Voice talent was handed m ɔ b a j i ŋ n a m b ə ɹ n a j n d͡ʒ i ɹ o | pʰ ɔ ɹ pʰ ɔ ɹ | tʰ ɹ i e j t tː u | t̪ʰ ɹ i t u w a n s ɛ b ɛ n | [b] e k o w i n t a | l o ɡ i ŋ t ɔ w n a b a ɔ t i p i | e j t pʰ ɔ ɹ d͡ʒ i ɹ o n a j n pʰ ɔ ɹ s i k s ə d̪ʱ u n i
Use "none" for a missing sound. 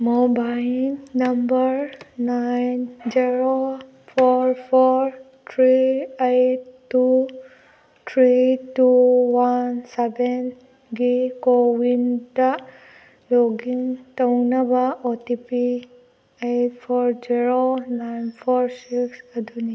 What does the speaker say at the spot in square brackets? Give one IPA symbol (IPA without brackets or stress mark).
ɡ